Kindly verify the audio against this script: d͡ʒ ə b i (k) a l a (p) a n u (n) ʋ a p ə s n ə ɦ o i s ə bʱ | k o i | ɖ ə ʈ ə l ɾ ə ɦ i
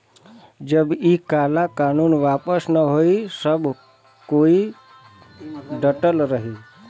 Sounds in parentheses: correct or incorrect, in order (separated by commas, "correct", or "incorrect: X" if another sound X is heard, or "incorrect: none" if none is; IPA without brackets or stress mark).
correct, incorrect: k, correct